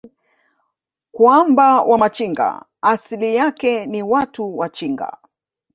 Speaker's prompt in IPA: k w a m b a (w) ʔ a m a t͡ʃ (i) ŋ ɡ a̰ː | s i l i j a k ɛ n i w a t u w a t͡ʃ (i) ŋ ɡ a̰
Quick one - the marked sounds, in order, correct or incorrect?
correct, correct, correct

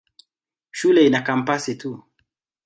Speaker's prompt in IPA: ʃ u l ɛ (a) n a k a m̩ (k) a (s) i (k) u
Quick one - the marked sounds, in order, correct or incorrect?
incorrect: i, incorrect: p, correct, incorrect: t

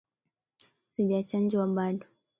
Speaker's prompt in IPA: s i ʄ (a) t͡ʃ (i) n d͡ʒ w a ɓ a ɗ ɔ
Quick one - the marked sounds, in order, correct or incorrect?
correct, incorrect: a

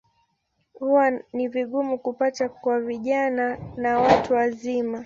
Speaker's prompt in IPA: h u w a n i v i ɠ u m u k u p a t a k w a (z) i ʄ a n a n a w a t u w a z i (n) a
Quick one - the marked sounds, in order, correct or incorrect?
incorrect: v, incorrect: m

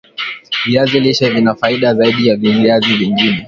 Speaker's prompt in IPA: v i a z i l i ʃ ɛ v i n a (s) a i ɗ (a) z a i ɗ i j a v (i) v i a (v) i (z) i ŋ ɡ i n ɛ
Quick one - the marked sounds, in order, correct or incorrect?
incorrect: f, correct, correct, incorrect: z, incorrect: v

